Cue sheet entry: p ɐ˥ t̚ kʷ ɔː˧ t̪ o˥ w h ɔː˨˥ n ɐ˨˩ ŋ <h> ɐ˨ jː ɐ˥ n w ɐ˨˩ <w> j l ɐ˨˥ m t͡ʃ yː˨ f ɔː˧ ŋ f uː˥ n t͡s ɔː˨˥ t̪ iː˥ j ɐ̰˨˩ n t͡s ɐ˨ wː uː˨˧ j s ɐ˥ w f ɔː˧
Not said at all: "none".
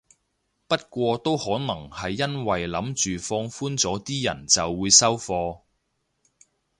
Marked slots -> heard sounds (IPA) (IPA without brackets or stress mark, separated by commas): h, none